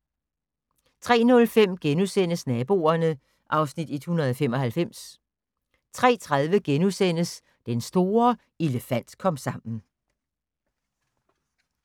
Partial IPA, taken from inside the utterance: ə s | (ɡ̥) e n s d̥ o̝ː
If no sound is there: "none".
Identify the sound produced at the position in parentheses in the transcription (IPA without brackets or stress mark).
d̥